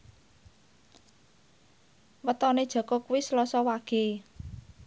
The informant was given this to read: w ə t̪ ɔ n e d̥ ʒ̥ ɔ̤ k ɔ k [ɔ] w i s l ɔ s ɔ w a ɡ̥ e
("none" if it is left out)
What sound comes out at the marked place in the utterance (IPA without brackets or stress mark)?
u